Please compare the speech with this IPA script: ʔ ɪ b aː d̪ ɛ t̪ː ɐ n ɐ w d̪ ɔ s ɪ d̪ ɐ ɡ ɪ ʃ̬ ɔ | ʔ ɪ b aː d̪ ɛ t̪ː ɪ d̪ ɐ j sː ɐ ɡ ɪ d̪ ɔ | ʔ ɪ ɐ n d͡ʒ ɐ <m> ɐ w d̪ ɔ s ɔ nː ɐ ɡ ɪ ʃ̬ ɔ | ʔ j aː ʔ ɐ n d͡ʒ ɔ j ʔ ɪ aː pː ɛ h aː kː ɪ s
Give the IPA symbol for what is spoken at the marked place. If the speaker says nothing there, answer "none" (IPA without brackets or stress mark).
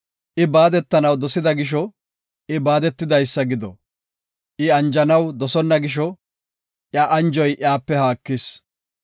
n